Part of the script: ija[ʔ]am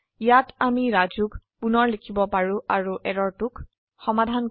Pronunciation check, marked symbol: incorrect: t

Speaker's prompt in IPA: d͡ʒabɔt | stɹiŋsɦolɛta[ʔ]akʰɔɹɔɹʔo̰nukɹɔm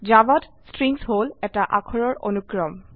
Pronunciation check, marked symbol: correct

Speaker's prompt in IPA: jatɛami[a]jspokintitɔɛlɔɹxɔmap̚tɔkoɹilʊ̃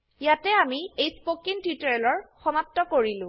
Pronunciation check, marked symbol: incorrect: e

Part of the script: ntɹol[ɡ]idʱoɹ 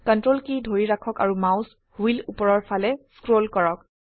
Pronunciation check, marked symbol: incorrect: k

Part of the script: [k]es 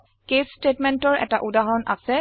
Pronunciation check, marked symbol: correct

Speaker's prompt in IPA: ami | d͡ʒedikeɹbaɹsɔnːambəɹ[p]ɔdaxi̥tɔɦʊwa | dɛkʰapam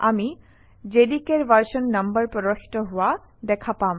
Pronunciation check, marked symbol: correct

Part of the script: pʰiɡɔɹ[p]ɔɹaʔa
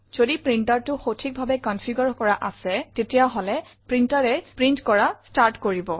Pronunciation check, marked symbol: incorrect: k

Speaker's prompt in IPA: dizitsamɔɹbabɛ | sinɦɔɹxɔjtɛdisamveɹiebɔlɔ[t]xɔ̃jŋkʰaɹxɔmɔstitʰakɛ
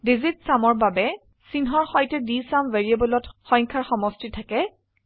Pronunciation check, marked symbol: correct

